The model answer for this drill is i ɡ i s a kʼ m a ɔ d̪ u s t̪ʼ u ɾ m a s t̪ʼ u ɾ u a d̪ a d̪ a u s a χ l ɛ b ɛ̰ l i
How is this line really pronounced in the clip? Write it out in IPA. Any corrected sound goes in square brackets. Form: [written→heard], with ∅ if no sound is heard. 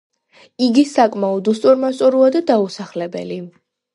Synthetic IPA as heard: i ɡ i s a kʼ m a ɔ d̪ u s t̪ʼ u ɾ m a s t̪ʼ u ɾ u a d̪ a d̪ a u s a χ l ɛ b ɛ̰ l i